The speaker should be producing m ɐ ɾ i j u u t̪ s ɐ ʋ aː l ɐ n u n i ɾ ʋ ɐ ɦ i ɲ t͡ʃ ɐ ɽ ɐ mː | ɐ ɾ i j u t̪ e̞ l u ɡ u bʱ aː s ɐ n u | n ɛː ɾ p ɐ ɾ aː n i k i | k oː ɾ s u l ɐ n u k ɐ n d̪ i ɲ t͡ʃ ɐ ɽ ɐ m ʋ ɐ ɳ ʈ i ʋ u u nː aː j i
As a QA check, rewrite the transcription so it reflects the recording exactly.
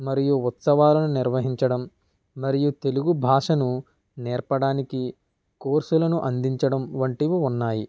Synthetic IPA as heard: m ɐ ɾ i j u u t̪ s ɐ ʋ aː l ɐ n u n i ɾ ʋ ɐ ɦ i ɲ t͡ʃ ɐ ɽ ɐ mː | ɐ ɾ i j u t̪ e̞ l u ɡ u bʱ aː ʂ ɐ n u | n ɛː ɾ p ɐ ɽ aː n i k i | k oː ɾ s u l ɐ n u ʔ ɐ n d̪ i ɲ t͡ʃ ɐ ɽ ɐ m ʋ ɐ ɳ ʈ i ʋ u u nː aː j i